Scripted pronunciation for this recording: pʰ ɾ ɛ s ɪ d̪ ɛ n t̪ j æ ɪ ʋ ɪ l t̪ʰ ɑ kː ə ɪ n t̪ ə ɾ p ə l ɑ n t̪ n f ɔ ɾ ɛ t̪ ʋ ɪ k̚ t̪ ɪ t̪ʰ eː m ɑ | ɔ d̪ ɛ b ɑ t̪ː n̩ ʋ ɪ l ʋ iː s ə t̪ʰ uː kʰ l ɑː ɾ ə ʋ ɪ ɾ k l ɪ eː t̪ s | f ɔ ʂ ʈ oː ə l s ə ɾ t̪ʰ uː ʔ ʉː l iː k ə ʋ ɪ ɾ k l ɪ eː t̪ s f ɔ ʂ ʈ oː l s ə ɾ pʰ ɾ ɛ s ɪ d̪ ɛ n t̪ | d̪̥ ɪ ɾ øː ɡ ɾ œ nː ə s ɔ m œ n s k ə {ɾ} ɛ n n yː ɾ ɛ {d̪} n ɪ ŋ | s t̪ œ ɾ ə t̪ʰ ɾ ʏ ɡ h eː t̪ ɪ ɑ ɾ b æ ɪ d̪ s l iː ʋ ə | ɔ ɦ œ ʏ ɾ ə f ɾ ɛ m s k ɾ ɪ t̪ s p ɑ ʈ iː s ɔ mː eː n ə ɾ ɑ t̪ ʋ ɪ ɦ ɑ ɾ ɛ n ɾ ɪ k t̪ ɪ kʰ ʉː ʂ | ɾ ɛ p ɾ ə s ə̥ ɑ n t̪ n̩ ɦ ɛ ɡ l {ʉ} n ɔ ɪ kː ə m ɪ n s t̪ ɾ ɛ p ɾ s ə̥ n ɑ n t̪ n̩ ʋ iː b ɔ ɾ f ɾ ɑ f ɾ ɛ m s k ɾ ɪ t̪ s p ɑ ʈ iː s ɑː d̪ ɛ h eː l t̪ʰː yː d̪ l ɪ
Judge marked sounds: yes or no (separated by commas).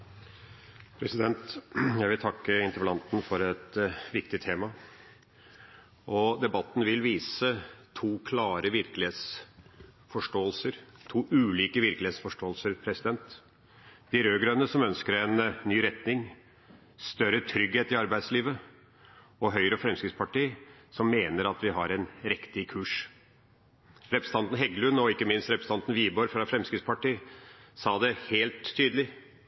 yes, no, yes